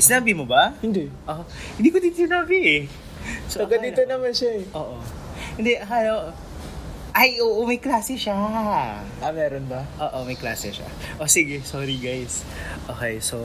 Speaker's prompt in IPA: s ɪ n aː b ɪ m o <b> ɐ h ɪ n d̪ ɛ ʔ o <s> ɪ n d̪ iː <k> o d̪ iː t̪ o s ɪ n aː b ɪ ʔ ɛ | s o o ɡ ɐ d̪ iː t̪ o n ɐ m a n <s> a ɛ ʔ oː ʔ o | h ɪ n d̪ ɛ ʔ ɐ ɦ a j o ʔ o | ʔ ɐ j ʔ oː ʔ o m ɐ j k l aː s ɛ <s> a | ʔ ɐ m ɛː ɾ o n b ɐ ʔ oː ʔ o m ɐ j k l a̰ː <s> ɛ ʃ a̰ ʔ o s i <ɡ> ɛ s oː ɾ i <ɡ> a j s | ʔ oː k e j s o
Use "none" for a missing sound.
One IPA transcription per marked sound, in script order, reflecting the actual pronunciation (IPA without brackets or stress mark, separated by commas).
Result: b, h, k, ʃ, ʃ, s, ɡ, ɡ